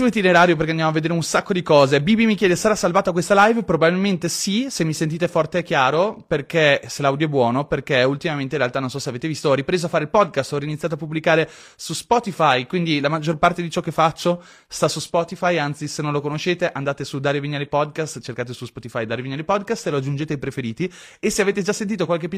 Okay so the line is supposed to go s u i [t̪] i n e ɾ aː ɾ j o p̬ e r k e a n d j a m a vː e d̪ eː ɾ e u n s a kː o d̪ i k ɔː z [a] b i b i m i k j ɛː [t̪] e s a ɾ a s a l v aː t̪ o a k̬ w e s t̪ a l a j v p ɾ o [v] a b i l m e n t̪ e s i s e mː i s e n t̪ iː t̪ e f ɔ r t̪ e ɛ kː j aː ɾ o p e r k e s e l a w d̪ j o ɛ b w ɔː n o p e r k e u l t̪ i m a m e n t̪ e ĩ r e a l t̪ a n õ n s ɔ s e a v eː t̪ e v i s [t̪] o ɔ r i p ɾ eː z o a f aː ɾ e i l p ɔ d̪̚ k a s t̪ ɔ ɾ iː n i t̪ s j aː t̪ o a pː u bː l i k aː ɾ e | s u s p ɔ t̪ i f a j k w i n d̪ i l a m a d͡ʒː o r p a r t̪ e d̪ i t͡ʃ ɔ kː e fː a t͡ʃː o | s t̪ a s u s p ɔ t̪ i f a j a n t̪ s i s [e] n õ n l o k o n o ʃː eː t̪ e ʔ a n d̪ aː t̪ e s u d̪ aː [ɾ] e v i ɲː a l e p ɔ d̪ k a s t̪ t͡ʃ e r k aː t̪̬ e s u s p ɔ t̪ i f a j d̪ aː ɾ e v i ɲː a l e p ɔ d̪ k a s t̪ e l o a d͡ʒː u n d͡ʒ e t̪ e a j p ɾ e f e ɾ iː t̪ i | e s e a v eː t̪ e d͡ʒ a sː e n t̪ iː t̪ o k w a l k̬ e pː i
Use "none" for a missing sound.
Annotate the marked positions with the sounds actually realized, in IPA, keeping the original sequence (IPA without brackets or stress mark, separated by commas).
t̪, e, d̪, b, t̪, e, ɾ